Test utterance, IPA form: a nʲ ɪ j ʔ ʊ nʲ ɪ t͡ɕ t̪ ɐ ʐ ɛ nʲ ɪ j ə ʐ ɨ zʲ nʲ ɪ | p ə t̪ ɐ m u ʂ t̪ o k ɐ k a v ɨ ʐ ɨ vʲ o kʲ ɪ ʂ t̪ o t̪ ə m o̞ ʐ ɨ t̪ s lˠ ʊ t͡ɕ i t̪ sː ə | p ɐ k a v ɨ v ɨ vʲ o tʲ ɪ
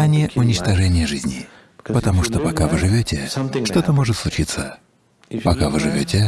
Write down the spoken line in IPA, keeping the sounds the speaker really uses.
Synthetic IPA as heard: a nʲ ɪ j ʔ ʊ nʲ ɪ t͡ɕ t̪ ɐ ʐ ɛ nʲ ɪ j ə ʐ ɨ zʲ nʲ ɪ | p ə t̪ ɐ m u ʂ t̪ o p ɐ k a v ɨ ʐ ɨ vʲ o tʲ ɪ ʂ t̪ o t̪ ə m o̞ ʐ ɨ t̪ s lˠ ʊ t͡ɕ i t̪ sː ə | p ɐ k a v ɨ ʐ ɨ vʲ o tʲ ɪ